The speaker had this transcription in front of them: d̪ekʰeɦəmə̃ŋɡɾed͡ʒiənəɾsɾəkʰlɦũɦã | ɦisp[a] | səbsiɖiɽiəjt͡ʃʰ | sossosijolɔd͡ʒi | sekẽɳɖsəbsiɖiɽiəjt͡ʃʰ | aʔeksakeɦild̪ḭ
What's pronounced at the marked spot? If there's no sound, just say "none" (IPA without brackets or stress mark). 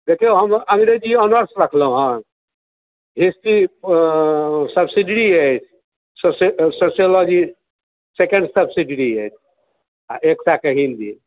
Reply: i